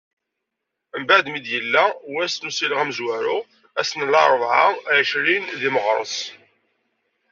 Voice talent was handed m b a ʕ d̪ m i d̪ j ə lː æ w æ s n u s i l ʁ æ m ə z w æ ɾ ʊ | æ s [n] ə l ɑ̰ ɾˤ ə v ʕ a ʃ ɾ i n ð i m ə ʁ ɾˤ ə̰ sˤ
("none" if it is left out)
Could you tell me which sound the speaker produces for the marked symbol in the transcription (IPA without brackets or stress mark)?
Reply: n